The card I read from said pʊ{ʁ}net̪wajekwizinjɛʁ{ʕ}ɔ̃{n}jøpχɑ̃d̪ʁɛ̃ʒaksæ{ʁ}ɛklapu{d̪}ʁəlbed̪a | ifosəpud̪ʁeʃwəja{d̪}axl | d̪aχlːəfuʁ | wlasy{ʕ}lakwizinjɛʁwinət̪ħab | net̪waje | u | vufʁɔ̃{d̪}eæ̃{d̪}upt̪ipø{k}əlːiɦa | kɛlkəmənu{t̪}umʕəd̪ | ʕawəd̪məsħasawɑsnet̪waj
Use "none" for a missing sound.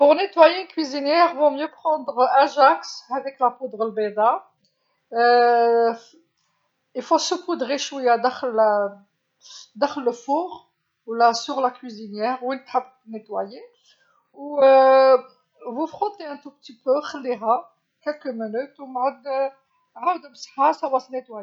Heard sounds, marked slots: ʁ, v, m, v, d̪, d̪, ʁ, t̪, t̪, x, t̪

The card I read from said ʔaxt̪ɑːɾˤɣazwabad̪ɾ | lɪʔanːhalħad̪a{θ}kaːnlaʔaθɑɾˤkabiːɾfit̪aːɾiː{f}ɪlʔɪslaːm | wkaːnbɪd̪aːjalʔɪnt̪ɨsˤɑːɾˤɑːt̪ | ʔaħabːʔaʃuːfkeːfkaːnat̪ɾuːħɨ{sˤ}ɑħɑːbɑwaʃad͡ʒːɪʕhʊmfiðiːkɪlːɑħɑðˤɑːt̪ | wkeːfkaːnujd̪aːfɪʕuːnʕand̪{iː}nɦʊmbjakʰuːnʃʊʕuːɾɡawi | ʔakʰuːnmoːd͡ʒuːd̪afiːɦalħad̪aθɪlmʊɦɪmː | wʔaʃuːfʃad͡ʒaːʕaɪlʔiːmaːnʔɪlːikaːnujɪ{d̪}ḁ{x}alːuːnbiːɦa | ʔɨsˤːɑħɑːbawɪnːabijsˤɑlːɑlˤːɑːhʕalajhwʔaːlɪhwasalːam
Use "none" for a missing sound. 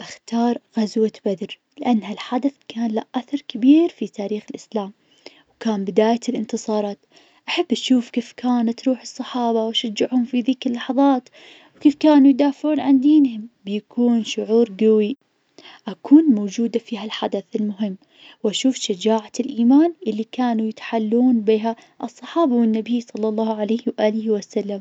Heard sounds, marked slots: θ, x, sˤː, iː, t̪, ħ

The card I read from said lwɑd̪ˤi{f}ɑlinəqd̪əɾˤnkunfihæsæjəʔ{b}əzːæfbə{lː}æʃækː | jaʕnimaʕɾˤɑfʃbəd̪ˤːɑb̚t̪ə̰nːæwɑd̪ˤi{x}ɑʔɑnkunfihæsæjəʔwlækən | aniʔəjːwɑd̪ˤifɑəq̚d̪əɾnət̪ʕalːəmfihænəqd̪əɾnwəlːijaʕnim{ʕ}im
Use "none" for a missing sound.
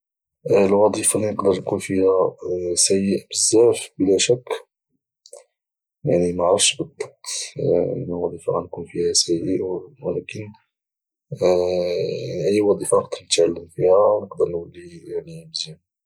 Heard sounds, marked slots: f, b, l, f, z

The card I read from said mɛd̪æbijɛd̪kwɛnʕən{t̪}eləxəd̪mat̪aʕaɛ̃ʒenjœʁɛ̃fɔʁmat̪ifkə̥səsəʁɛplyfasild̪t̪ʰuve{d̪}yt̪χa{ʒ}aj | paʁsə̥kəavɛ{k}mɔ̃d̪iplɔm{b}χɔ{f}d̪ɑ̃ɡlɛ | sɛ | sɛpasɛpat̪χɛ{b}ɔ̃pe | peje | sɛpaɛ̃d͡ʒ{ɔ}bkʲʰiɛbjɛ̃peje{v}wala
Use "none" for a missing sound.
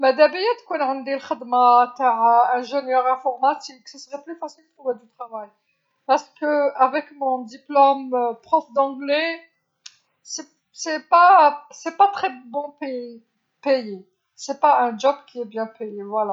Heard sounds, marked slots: d̪, d̪, v, k, p, f, b, ɔ, v

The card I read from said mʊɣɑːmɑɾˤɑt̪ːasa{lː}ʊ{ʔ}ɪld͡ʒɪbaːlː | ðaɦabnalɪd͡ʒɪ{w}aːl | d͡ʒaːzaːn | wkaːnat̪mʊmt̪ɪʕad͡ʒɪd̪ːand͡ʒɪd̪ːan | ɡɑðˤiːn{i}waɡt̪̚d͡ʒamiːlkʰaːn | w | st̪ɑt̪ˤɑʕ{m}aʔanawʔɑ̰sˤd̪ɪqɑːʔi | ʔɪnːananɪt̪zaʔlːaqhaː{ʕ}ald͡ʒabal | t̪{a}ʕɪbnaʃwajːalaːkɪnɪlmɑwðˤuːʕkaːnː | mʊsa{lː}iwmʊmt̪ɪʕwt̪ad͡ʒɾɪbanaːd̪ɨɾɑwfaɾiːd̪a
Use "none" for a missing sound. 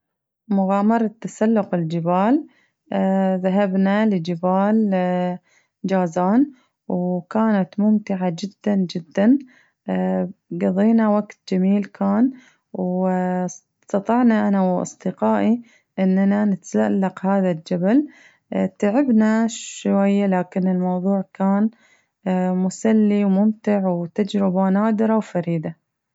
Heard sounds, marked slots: lː, q, b, a, n, ð, a, lː

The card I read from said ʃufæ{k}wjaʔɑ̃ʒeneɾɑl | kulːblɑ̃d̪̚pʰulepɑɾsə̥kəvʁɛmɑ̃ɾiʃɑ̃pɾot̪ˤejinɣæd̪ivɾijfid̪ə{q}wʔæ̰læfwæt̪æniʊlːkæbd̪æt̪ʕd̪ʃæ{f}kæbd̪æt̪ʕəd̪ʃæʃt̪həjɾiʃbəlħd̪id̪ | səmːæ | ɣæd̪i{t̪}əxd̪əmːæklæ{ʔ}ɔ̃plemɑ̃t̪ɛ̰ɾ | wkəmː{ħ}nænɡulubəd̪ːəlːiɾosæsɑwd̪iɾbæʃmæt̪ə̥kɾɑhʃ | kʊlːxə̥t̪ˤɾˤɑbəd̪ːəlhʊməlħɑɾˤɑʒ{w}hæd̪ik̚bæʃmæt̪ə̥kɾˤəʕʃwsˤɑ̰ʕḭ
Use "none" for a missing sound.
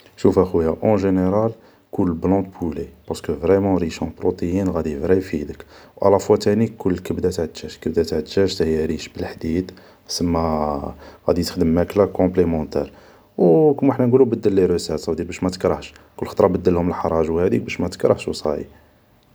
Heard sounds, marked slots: x, k, ʃ, t̪, k, ħ, w

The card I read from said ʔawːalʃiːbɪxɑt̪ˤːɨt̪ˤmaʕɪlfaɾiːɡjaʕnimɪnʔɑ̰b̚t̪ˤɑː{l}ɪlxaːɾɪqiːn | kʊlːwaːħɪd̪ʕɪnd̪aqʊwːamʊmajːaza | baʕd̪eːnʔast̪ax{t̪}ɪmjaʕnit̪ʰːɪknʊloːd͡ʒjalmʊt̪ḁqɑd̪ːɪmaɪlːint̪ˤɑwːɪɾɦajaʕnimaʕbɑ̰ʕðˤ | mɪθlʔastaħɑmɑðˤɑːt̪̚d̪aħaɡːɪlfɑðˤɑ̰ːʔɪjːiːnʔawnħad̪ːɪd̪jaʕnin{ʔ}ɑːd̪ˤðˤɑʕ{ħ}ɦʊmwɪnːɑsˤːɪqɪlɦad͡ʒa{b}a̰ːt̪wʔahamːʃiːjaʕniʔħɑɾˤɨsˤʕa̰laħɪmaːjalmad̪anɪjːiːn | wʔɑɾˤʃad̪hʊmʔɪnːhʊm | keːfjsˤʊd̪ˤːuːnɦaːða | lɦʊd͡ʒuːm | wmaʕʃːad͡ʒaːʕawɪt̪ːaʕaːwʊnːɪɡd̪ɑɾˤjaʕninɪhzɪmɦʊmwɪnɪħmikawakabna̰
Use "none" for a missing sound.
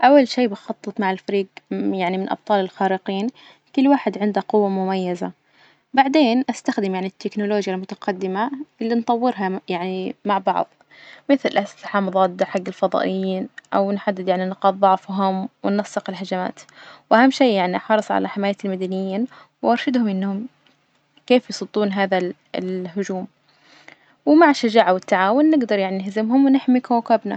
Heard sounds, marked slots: l, d̪, q, f, m

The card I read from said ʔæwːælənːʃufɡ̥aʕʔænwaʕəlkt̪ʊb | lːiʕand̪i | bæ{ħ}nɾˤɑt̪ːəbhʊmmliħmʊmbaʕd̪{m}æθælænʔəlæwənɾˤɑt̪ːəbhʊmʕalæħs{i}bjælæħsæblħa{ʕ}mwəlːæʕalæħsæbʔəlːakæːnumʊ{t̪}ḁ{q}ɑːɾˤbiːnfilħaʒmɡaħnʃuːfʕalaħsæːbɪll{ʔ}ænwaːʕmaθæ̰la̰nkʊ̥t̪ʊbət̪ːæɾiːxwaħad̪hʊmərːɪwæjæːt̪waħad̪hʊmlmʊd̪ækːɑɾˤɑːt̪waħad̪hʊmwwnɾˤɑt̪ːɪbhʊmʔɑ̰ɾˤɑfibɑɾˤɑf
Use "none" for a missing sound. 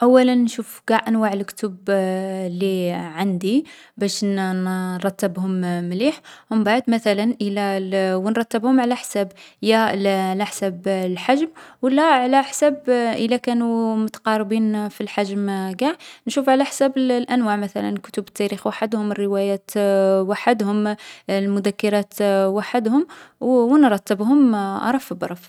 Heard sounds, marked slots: ʃ, m, æ, ʒ, t̪, q, ʔ

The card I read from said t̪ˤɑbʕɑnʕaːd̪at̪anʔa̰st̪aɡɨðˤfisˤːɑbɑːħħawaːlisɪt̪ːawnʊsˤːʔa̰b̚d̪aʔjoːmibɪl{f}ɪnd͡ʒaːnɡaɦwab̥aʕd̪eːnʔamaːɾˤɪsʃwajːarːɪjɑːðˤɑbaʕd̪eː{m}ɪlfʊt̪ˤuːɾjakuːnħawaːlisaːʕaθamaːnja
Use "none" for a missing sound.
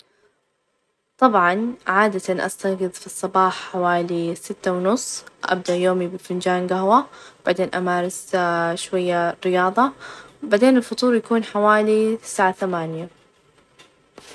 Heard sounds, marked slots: f, n

